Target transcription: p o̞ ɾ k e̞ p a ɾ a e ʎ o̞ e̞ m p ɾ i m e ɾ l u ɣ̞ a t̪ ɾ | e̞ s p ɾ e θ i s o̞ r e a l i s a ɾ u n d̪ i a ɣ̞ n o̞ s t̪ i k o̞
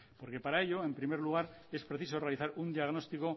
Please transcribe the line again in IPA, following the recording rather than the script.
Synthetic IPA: p o̞ ɾ k e̞ p a ɾ a e ʎ o̞ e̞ m p ɾ i m e ɾ l u ɣ̞ a ɾ | e̞ s p ɾ e θ i s o̞ r e a l i θ a ɾ u n d̪ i a ɣ̞ n o̞ s t̪ i k o̞